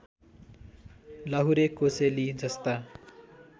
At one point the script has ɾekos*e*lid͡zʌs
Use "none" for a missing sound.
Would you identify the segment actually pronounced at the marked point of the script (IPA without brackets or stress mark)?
e